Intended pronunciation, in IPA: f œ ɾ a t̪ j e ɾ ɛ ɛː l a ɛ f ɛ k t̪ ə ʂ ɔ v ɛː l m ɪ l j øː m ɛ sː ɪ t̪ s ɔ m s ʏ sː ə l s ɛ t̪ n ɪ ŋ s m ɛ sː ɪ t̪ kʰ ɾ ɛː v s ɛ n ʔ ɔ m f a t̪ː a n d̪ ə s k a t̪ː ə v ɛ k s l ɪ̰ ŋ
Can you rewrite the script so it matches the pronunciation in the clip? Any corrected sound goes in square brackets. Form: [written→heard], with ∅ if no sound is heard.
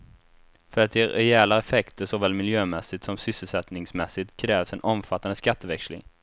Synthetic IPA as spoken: f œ ɾ a t̪ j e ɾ ɛ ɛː l a ɛ f ɛ k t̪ ə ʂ ɔ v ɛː l m ɪ l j øː m ɛ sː ɪ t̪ s ɔ m s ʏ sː ə l s ɛ t̪ n ɪ ŋ s m ɛ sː ɪ t̪ kʰ ɾ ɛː v s ɛ n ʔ ɔ m f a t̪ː a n d̪ ə s k a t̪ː ə v ɛ k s l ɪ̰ ŋ